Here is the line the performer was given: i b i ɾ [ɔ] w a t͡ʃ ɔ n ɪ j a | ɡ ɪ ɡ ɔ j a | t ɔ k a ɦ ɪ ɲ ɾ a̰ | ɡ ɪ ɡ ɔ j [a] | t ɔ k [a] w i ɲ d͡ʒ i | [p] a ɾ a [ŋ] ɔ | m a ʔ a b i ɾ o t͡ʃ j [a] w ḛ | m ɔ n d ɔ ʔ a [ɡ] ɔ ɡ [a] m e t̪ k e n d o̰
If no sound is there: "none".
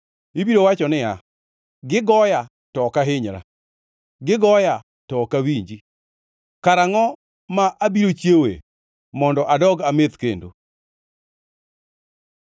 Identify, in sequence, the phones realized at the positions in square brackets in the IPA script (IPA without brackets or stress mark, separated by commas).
o, a, a, k, ŋ, e, d, a